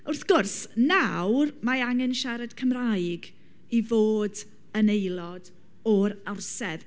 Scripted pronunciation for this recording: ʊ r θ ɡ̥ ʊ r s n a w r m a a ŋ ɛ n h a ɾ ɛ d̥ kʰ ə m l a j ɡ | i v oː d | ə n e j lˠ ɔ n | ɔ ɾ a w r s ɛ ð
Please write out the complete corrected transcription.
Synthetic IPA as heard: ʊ r θ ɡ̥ ʊ r s n a w r m a a ŋ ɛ n ʃ a ɾ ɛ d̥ kʰ ə m r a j ɡ | i v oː d | ə n e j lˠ ɔ d | ɔ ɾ a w r s ɛ ð

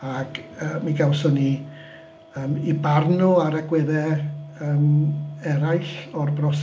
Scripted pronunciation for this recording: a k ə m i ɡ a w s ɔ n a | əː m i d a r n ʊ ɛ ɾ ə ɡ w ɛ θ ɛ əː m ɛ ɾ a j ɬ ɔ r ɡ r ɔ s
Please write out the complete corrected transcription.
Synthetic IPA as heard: a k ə m i ɡ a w s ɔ n i | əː m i b a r n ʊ a ɾ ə ɡ w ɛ ð ɛ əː m ɛ ɾ a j ɬ ɔ r b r ɔ s

